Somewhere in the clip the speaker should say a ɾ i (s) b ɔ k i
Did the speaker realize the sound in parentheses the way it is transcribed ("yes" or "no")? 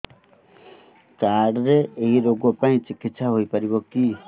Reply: no